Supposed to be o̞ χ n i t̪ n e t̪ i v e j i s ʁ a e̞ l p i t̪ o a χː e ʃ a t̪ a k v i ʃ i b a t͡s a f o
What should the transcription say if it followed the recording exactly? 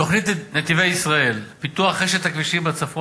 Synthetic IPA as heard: o̞ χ n i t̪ n e t̪ i v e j i s ʁ a e̞ l p i t̪ u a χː e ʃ e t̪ a k v i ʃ i b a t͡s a f o